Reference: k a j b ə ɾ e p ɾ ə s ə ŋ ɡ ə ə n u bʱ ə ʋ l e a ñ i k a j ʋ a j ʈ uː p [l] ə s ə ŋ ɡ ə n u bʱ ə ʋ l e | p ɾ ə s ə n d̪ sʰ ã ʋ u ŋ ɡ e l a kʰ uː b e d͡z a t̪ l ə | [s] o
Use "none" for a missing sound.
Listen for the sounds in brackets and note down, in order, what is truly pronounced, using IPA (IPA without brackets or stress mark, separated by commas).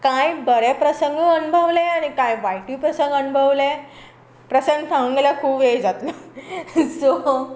ɾ, s